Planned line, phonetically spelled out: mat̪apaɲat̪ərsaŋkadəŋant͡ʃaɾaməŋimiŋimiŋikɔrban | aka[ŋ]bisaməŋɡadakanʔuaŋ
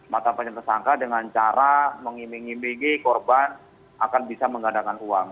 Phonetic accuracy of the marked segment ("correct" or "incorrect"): incorrect